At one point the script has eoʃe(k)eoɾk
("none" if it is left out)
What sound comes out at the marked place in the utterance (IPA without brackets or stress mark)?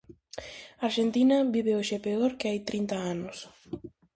p